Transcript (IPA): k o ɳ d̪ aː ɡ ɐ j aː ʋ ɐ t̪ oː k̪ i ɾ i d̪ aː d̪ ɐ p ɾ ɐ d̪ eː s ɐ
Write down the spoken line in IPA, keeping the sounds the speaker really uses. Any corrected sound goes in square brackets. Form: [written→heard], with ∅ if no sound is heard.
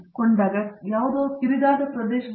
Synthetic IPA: k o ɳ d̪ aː ɡ ɐ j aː ʋ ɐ [t̪→d̪] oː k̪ i ɾ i d̪ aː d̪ ɐ p ɾ ɐ d̪ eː [s→ʃ] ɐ